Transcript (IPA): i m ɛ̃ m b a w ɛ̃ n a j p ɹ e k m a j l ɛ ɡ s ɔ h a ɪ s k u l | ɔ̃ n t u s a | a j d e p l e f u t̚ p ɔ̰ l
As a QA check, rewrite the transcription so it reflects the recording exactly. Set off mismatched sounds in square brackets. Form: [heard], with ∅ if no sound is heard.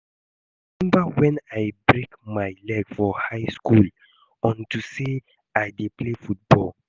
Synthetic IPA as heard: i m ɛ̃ m b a w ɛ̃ n a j [b] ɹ e k m a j l ɛ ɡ [f] ɔ h a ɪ s k u l | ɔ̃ n t u s [e] | a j d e p l e f u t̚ [b] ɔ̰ l